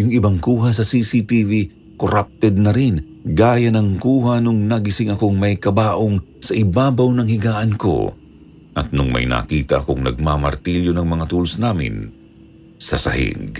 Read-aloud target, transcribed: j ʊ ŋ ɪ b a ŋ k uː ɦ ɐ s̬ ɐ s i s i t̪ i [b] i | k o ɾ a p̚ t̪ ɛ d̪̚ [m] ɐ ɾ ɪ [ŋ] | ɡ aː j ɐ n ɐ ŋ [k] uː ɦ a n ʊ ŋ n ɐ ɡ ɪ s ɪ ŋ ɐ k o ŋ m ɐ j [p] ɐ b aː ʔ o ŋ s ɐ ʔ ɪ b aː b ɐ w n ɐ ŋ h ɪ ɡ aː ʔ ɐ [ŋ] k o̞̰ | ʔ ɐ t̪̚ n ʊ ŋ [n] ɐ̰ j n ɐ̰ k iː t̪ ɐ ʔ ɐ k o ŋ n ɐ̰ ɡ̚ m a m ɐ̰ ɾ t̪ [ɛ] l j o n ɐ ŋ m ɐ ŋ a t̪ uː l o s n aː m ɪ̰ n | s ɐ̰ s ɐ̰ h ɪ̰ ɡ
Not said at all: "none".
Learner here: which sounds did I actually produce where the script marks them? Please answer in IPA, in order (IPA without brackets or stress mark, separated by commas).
v, n, n, k, k, n, m, i